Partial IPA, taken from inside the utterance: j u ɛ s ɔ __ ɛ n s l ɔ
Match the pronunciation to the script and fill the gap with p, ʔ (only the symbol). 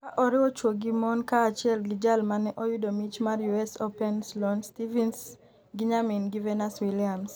p